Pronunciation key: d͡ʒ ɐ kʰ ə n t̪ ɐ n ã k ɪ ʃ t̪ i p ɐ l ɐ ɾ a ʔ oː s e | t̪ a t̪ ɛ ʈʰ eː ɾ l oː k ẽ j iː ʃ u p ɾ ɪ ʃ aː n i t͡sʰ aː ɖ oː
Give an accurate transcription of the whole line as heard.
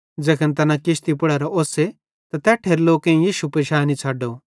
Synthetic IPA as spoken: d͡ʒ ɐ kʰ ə n t̪ ɐ n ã k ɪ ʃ t̪ i p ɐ ɽ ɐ ɾ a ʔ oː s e | t̪ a t̪ ɛ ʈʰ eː ɾ l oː k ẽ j iː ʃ u p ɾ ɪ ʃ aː n i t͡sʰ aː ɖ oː